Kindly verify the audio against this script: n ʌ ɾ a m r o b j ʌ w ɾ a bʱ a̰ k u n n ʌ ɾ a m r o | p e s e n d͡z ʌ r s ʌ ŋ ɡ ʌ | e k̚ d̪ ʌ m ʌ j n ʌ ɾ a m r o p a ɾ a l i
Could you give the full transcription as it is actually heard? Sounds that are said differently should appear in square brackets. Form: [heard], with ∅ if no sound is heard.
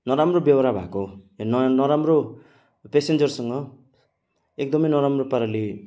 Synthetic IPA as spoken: n ʌ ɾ a m r o b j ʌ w ɾ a bʱ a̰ k [o] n n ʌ ɾ a m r o | p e s e n d͡z ʌ r s ʌ ŋ ɡ ʌ | e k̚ d̪ ʌ m ʌ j n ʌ ɾ a m r o p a ɾ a l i